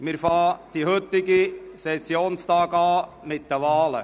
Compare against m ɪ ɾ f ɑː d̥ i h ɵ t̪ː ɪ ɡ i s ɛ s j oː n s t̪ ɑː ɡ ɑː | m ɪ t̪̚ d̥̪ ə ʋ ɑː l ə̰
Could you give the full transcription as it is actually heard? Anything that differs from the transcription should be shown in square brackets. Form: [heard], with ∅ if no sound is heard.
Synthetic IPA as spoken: m ɪ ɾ f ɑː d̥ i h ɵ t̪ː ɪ ɡ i s ɛ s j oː n s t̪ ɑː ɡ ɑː | m ɪ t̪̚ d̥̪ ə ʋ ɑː l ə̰